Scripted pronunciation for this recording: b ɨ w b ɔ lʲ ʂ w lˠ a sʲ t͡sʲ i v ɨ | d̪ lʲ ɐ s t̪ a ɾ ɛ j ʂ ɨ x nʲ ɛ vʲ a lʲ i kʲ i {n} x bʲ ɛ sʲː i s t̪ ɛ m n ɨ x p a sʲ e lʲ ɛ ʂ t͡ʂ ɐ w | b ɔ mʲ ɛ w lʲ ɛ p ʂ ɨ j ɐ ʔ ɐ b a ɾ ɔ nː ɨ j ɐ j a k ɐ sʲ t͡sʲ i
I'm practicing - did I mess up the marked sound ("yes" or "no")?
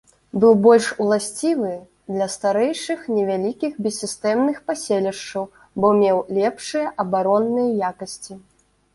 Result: yes